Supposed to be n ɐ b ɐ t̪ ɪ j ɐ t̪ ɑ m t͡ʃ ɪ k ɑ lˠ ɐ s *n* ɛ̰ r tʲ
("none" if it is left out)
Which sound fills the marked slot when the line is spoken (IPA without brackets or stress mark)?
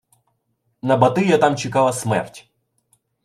m